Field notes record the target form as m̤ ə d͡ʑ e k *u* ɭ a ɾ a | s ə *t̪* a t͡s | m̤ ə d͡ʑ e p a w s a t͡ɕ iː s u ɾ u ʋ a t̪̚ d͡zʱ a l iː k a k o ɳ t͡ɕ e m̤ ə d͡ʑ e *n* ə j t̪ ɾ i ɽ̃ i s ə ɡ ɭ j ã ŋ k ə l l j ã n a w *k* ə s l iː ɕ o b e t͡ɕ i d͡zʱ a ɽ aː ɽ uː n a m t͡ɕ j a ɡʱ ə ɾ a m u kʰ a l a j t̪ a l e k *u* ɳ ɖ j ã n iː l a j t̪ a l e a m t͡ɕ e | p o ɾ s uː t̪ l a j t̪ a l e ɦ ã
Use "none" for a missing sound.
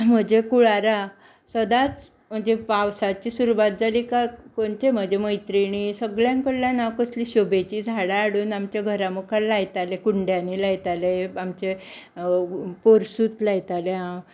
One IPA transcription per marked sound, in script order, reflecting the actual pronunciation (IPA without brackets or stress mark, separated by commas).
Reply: u, d̪, m, k, u